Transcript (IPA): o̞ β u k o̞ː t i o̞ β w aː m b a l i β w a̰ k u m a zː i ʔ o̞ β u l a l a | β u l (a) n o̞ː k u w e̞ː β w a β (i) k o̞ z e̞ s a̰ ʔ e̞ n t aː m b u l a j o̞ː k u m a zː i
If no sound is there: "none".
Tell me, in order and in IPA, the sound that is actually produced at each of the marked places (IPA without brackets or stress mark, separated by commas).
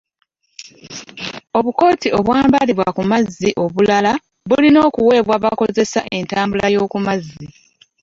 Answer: i, a